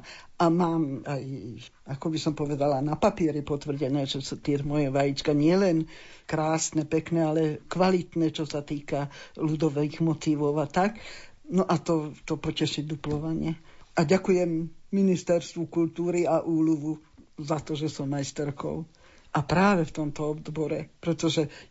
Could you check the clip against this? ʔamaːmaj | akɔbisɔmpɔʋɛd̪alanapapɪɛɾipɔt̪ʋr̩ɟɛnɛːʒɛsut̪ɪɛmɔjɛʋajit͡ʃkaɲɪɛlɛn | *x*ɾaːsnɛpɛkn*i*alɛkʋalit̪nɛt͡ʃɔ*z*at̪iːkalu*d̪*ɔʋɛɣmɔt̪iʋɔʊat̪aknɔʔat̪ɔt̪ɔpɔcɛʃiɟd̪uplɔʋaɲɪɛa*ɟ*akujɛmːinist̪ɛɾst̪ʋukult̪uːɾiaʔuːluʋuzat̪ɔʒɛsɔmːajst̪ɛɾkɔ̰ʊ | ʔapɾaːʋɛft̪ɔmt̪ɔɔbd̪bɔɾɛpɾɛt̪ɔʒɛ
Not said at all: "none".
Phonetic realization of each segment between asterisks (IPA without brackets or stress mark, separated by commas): k, ɛ, s, d̪, ɟ